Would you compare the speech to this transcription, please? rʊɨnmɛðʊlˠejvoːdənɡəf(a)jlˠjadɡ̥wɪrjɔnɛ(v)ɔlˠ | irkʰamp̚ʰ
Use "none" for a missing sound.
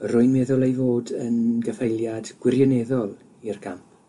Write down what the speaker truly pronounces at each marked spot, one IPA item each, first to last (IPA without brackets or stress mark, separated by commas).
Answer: e, ð